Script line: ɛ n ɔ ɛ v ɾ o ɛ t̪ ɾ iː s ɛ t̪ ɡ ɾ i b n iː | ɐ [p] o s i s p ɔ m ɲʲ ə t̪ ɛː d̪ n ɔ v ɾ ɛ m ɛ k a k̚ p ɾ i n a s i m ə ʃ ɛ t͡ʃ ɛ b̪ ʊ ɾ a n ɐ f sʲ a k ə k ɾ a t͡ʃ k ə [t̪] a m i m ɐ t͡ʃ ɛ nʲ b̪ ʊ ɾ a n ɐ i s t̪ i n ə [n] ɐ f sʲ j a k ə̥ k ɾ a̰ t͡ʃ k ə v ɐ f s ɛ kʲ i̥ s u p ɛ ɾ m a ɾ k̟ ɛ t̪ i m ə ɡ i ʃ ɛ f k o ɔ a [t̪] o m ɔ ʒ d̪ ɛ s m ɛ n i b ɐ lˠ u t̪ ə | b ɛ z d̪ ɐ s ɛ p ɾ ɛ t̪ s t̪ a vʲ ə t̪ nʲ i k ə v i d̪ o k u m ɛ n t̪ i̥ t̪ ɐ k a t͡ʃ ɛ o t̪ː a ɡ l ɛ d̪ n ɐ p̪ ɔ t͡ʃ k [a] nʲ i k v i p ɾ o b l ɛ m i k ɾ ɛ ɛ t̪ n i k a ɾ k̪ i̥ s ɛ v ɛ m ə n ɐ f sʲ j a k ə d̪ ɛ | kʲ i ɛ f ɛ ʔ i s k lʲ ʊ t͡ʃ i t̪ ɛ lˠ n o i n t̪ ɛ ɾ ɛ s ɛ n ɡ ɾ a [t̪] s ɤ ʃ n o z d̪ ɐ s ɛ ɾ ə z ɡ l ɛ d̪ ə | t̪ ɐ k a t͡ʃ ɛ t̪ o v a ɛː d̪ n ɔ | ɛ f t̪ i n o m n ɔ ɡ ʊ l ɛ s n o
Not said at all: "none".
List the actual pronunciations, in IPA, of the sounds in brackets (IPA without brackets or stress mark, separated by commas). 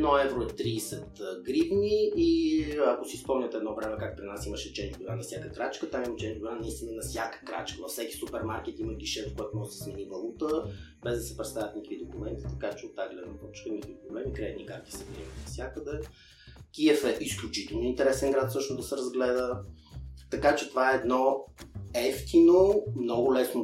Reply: k, t̪, n, t̪, ə, t̪